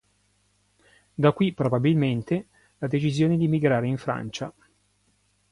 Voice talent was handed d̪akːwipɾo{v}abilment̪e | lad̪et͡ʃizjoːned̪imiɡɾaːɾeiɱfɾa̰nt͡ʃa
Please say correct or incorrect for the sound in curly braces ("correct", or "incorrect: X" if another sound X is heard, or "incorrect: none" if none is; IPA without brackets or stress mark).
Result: incorrect: b